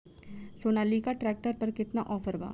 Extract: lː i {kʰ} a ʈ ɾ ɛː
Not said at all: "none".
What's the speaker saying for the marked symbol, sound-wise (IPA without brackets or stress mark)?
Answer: k